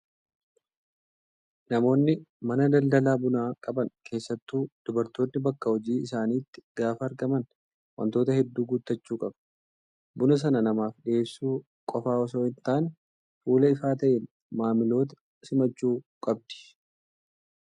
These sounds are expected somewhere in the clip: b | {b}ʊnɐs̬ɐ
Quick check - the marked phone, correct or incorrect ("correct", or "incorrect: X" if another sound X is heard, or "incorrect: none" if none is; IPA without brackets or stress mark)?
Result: correct